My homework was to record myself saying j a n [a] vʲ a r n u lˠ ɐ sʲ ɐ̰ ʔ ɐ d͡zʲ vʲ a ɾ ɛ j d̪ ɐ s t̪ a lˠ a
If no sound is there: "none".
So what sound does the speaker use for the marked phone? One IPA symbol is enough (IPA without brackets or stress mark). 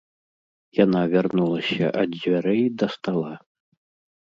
a